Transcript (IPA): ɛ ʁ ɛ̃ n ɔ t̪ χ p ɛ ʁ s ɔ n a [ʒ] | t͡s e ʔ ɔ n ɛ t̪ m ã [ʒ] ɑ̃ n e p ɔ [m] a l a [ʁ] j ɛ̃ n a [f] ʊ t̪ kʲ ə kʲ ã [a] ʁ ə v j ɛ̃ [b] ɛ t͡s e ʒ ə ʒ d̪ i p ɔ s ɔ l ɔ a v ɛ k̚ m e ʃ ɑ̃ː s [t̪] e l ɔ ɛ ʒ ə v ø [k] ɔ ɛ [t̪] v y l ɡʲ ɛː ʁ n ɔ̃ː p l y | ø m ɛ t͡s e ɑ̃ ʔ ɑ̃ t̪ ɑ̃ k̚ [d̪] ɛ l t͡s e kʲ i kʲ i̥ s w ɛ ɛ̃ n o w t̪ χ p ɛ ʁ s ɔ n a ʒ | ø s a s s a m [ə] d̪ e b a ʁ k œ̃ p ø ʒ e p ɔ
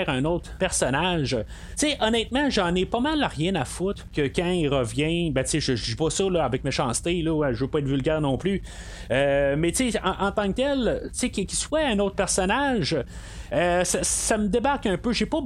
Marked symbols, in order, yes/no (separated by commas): yes, yes, yes, yes, yes, no, yes, yes, no, yes, no, yes